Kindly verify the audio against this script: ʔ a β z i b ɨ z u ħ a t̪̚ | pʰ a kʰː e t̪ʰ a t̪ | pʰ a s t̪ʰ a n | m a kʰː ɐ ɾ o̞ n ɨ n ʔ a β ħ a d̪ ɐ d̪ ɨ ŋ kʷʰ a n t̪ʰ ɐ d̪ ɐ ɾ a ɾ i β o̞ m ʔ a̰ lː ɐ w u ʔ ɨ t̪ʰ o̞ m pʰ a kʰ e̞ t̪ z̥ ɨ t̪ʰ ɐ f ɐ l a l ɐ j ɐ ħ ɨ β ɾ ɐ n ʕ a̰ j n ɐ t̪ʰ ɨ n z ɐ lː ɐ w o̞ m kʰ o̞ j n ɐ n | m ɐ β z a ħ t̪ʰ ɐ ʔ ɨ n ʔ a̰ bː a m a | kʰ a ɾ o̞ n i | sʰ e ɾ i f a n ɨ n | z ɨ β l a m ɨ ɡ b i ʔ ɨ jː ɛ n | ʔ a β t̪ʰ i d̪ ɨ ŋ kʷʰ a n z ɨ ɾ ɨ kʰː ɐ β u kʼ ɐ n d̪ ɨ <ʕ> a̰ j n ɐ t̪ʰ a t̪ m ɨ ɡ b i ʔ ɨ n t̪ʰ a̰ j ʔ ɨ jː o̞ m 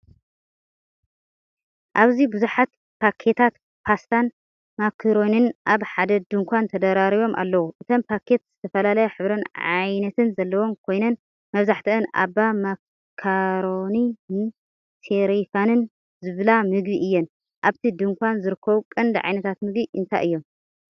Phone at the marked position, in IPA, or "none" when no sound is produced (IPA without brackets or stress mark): ʕ